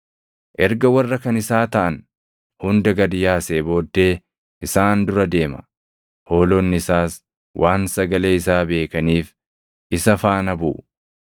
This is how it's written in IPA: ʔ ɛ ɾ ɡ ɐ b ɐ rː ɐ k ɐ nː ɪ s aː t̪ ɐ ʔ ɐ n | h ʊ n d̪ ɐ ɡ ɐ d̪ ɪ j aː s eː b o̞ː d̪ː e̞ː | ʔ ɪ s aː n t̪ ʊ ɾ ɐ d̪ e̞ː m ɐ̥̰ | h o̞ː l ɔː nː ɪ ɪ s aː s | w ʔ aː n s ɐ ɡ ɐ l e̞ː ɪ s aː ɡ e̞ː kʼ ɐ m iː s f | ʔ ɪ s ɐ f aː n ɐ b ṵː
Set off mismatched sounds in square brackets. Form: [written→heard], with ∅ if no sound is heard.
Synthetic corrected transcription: ʔ ɛ ɾ ɡ ɐ [b→w] ɐ rː ɐ k ɐ [nː→n] ɪ s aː t̪ ɐ ʔ ɐ n | h ʊ n d̪ ɐ ɡ ɐ d̪ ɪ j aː s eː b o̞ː d̪ː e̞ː | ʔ ɪ s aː n [t̪→d̪] ʊ ɾ ɐ d̪ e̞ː m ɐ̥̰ | h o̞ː l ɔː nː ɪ ɪ s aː s | w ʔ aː n s ɐ ɡ ɐ l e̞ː ɪ s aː [ɡ→b] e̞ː [kʼ→k] ɐ [m→n] iː [s→∅] f | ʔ ɪ s ɐ f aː n ɐ b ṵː